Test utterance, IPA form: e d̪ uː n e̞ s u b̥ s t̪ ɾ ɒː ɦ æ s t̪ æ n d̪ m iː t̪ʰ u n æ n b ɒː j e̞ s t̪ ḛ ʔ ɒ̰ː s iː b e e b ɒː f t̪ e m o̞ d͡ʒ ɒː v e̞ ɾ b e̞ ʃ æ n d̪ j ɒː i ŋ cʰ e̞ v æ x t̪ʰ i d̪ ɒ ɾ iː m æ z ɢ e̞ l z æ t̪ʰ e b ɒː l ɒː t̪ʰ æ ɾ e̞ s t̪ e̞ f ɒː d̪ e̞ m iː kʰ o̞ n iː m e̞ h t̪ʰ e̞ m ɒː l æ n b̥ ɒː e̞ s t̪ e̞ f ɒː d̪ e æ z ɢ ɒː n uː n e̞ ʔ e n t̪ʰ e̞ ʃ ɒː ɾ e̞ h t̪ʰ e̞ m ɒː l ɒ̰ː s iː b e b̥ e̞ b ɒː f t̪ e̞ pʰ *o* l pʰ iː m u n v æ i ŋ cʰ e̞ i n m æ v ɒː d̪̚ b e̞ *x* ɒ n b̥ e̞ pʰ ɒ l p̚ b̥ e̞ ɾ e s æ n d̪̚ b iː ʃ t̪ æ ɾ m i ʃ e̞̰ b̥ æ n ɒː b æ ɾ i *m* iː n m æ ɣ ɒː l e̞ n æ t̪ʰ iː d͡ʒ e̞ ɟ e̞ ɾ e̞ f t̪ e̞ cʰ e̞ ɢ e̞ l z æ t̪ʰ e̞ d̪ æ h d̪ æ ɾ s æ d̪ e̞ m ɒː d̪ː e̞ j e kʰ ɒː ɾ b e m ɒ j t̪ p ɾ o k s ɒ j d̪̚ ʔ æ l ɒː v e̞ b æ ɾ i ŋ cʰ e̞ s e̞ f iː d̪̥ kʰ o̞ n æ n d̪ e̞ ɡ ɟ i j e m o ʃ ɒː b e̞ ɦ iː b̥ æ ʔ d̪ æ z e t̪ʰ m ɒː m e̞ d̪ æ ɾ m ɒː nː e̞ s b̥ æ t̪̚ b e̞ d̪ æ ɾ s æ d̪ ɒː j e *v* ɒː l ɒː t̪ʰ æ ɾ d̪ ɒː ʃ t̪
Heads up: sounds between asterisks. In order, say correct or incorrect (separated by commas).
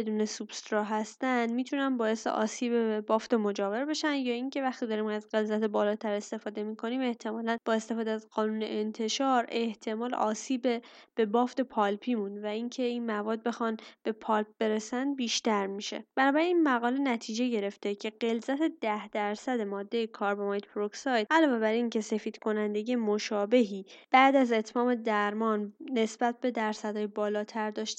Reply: incorrect, correct, incorrect, incorrect